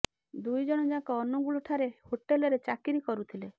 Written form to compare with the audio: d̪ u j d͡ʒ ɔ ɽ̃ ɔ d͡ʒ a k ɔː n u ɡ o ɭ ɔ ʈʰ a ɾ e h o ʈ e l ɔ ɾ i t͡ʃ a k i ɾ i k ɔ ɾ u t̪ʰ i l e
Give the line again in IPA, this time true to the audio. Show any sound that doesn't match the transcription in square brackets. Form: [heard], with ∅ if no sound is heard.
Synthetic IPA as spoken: d̪ u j d͡ʒ ɔ ɽ̃ ɔ d͡ʒ a k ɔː n u ɡ [u] ɭ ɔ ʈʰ a ɾ e h o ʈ e l ɔ ɾ [e] t͡ʃ a k i ɾ i k ɔ ɾ u t̪ʰ i l e